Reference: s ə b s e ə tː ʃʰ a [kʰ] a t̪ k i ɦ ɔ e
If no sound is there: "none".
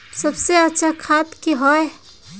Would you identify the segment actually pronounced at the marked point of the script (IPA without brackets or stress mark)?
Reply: kʰ